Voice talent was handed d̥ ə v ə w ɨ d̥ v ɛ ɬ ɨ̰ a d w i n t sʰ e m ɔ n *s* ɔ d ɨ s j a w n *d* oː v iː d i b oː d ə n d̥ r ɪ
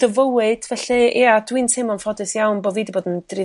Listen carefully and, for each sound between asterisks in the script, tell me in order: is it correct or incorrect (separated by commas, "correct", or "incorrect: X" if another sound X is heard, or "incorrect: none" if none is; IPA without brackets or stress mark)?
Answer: incorrect: f, incorrect: b